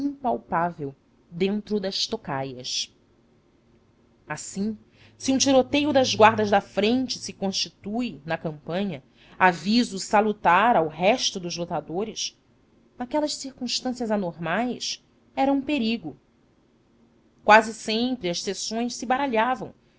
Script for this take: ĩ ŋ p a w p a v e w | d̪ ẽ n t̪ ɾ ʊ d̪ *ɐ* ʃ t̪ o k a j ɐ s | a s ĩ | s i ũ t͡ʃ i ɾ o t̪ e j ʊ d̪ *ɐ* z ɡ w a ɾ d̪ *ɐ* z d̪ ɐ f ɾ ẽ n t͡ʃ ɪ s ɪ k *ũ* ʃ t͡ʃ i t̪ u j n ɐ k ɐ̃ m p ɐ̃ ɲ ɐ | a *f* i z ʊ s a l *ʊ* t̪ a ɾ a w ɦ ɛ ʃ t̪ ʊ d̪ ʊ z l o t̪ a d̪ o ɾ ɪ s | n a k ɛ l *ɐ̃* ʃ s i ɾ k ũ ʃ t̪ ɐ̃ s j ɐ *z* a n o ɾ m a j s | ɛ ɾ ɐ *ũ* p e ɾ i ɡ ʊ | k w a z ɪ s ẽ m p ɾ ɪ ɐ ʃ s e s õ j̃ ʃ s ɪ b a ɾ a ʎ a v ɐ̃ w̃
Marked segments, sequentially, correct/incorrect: correct, correct, correct, incorrect, incorrect, incorrect, incorrect, correct, correct

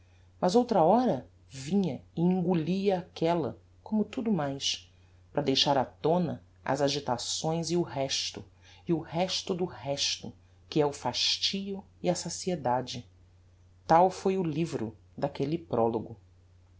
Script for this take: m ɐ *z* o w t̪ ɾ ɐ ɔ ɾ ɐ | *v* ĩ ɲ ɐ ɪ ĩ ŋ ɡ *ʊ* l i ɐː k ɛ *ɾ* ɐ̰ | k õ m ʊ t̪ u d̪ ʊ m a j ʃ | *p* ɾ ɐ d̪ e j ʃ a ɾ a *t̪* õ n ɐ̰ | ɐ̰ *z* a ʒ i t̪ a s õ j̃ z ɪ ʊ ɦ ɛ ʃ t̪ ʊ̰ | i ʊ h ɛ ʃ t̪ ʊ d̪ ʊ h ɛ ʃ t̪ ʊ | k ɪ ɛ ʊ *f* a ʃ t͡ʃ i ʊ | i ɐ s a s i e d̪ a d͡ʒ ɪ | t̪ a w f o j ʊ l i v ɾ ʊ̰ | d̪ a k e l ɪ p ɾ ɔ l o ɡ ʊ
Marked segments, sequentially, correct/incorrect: correct, correct, incorrect, incorrect, correct, correct, correct, correct

